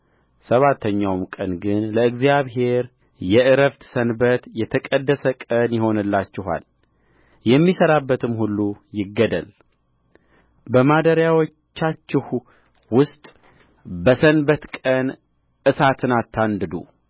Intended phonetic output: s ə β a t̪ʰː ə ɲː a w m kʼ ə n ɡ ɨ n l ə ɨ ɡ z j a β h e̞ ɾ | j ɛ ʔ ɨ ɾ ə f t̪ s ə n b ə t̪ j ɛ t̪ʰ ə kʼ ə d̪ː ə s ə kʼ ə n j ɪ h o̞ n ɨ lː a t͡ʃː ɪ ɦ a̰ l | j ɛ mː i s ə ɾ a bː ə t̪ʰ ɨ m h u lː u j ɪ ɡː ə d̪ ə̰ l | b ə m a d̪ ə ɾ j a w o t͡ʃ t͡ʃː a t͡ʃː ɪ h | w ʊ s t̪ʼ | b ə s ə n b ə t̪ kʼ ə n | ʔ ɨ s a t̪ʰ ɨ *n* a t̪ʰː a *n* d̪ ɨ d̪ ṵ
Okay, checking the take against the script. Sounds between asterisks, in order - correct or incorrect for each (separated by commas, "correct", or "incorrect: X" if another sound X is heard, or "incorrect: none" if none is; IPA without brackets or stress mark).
correct, correct